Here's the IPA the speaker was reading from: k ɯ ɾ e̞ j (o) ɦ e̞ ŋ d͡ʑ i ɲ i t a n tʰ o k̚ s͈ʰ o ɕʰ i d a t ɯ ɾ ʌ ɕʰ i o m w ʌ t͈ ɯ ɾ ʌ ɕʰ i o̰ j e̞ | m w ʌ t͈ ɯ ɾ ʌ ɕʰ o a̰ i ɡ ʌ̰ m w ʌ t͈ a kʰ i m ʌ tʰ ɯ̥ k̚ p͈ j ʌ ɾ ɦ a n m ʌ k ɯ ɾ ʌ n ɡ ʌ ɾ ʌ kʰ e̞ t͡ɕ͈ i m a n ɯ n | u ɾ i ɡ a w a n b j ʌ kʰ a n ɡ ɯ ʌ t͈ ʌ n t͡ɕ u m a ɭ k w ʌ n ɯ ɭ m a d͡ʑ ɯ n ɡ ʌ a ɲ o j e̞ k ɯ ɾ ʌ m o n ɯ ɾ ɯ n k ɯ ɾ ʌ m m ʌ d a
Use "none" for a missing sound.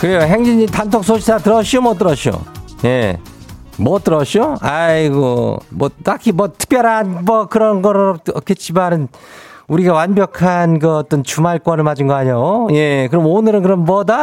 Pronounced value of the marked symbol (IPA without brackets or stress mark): o